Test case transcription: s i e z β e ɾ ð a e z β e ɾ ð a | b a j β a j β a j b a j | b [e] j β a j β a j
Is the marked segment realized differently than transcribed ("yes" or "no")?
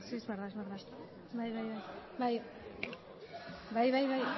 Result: yes